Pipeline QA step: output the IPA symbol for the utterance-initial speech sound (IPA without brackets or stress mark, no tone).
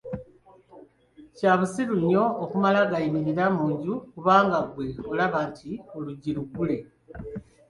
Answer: c